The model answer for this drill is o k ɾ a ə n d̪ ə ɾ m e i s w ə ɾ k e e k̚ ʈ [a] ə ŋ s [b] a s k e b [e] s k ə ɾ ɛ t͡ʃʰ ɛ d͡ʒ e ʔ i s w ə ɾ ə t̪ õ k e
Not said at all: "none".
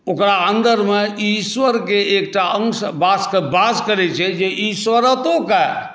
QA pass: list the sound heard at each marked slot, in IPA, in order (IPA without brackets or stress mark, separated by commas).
a, b, a